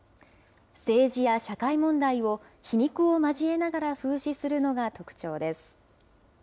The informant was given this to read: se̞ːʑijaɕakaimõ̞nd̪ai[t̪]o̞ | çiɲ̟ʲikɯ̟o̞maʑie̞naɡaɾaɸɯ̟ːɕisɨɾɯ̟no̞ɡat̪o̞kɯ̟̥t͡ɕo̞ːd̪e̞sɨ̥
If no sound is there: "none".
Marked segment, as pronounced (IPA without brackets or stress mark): none